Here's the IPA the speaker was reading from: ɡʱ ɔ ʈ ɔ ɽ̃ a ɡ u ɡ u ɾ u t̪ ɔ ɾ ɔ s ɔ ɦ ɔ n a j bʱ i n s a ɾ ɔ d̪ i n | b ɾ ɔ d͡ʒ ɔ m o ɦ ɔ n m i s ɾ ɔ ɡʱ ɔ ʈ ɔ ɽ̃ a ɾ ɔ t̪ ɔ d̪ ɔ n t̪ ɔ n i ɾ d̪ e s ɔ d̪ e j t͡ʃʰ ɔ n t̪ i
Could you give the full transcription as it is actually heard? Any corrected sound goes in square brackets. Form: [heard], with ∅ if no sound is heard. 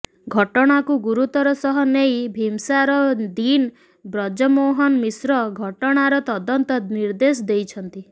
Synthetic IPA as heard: ɡʱ ɔ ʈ ɔ ɽ̃ a [k] u ɡ u ɾ u t̪ ɔ ɾ ɔ s ɔ ɦ ɔ n [e] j bʱ i [m] s a ɾ ɔ d̪ i n | b ɾ ɔ d͡ʒ ɔ m o ɦ ɔ n m i s ɾ ɔ ɡʱ ɔ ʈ ɔ ɽ̃ a ɾ ɔ t̪ ɔ d̪ ɔ n t̪ ɔ n i ɾ d̪ e s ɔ d̪ e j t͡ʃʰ ɔ n t̪ i

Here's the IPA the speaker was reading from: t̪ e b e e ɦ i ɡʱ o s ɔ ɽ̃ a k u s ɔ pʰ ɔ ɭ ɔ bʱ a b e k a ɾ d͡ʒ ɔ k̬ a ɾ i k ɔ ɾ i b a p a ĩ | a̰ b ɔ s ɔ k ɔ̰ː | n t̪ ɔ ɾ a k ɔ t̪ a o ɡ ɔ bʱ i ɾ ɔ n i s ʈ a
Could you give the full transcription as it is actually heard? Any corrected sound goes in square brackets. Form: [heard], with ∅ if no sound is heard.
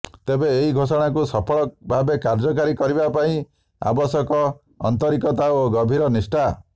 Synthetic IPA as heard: t̪ e b e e ɦ i ɡʱ o s ɔ ɽ̃ a k u s ɔ pʰ ɔ ɭ ɔ bʱ a b e k a ɾ d͡ʒ ɔ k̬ a ɾ i k ɔ ɾ i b a p a ĩ | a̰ b ɔ s ɔ k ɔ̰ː | n t̪ ɔ ɾ [i] k ɔ t̪ a o ɡ ɔ bʱ i ɾ ɔ n i s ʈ a

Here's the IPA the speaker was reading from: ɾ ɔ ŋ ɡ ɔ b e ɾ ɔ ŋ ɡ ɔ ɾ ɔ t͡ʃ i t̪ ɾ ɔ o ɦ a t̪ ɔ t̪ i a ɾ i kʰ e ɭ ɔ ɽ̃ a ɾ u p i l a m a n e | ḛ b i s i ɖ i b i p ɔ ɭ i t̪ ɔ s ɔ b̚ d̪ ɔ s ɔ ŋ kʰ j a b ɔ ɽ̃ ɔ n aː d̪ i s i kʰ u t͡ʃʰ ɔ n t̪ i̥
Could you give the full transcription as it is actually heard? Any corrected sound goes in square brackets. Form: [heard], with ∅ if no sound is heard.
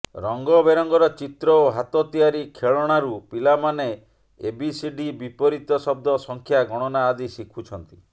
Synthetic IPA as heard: ɾ ɔ ŋ ɡ ɔ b e ɾ ɔ ŋ ɡ ɔ ɾ ɔ t͡ʃ i t̪ ɾ ɔ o ɦ a t̪ ɔ t̪ i a ɾ i kʰ e ɭ ɔ ɽ̃ a ɾ u p i l a m a n e | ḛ b i s i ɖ i b i p ɔ [ɾ] i t̪ ɔ s ɔ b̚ d̪ ɔ s ɔ ŋ kʰ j a [ɡ] ɔ ɽ̃ ɔ n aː d̪ i s i kʰ u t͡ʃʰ ɔ n t̪ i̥

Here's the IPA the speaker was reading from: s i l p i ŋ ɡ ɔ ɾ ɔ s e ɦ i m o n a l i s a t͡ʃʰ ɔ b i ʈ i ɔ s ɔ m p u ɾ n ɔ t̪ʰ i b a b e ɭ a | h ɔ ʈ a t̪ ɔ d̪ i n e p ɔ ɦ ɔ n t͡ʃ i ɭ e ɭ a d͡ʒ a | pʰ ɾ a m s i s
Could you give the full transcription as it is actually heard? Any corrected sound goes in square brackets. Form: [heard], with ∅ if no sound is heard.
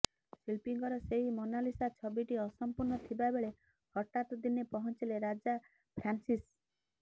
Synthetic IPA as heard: s i l p i ŋ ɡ ɔ ɾ ɔ s e ɦ i m o n a l i s a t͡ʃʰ ɔ b i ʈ i ɔ s ɔ m p u ɾ n ɔ t̪ʰ i b a b e ɭ [e] | h ɔ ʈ a t̪ ɔ d̪ i n e p ɔ ɦ ɔ n t͡ʃ i [l] e [ɾ] a d͡ʒ a | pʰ ɾ a [n] s i s

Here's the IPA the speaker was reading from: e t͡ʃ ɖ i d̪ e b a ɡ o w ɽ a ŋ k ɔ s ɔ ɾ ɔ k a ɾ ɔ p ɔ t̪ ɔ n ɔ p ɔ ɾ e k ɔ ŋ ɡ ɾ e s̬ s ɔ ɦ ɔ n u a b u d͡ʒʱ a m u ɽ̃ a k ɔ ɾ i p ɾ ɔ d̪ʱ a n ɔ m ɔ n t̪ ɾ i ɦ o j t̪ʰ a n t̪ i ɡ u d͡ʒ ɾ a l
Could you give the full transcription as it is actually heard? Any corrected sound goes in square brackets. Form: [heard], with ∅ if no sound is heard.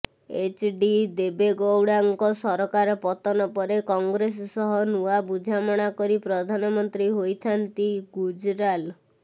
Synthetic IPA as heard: e t͡ʃ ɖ i d̪ e b [e] ɡ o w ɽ a ŋ k ɔ s ɔ ɾ ɔ k a ɾ ɔ p ɔ t̪ ɔ n ɔ p ɔ ɾ e k ɔ ŋ ɡ ɾ e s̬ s ɔ ɦ ɔ n u a b u d͡ʒʱ a m [ɔ] ɽ̃ a k ɔ ɾ i p ɾ ɔ d̪ʱ a n ɔ m ɔ n t̪ ɾ i ɦ o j t̪ʰ a n t̪ i ɡ u d͡ʒ ɾ a l

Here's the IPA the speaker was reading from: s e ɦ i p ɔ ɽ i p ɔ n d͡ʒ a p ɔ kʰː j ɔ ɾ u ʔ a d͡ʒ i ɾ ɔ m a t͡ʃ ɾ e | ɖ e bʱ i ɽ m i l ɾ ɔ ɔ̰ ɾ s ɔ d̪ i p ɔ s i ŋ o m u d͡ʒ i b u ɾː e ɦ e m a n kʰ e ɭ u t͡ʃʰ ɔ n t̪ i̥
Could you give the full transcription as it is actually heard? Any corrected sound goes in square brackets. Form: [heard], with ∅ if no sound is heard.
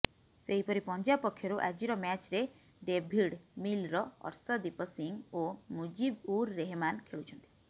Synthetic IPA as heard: s e ɦ i p ɔ [ɾ] i p ɔ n d͡ʒ a p ɔ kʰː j ɔ ɾ u ʔ a d͡ʒ i ɾ ɔ m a t͡ʃ ɾ e | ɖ e bʱ i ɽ m i l ɾ ɔ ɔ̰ ɾ s ɔ d̪ i p ɔ s i ŋ o m u d͡ʒ i b u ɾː e ɦ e m a n kʰ e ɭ u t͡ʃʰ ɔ n t̪ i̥

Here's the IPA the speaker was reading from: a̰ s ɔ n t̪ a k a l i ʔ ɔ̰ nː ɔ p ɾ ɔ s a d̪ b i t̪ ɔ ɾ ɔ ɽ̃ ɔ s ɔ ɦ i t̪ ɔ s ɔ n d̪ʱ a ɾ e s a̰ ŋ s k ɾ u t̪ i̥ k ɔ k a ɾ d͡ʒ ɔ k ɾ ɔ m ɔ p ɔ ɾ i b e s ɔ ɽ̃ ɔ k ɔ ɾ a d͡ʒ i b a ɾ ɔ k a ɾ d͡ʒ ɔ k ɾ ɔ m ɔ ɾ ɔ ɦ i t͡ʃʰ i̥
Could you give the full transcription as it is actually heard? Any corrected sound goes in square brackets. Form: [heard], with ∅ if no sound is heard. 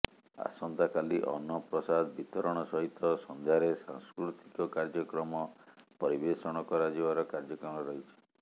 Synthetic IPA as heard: a̰ s ɔ n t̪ a k a l i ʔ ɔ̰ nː ɔ p ɾ ɔ s a d̪ b i t̪ ɔ ɾ ɔ ɽ̃ ɔ s ɔ ɦ i t̪ ɔ s ɔ n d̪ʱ a ɾ e s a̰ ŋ s k ɾ u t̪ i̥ k ɔ k a ɾ d͡ʒ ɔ k ɾ ɔ m ɔ p ɔ ɾ i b e s ɔ ɽ̃ ɔ k ɔ ɾ a d͡ʒ i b a ɾ ɔ k a ɾ d͡ʒ ɔ k ɾ ɔ m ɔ ɾ ɔ ɦ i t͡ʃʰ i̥

